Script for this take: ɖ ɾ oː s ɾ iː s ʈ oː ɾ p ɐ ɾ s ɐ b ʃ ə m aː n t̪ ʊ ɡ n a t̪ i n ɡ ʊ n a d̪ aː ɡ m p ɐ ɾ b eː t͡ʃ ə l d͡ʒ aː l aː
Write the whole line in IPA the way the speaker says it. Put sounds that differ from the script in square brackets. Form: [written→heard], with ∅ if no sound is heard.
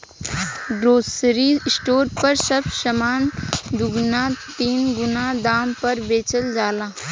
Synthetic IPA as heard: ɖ ɾ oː s ɾ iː s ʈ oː ɾ p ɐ ɾ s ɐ b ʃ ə m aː n [t̪→d̪] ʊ ɡ n a t̪ [i→iː] n ɡ ʊ n a d̪ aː [ɡ→∅] m p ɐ ɾ b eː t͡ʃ ə l d͡ʒ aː l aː